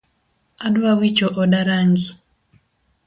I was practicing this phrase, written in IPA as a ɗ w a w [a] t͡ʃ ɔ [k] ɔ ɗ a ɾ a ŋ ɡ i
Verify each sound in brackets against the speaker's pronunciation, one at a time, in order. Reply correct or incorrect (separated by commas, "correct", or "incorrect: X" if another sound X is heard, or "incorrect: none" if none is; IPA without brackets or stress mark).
incorrect: i, incorrect: ʔ